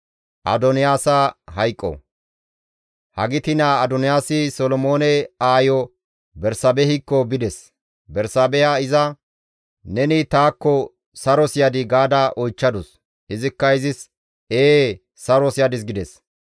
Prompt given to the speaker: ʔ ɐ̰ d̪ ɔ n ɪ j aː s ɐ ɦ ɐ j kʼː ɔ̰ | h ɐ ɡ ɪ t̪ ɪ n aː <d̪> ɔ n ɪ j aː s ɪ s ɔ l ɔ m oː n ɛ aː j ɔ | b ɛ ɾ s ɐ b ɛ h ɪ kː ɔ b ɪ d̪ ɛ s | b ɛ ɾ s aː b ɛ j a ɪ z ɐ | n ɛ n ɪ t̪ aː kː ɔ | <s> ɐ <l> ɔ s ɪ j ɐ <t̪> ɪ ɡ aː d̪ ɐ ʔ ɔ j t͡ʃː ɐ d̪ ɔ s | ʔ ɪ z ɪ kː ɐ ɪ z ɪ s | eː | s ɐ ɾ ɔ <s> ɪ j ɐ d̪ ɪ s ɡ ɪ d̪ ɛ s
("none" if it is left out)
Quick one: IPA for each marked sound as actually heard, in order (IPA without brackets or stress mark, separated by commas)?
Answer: d̪, s, ɾ, d̪, s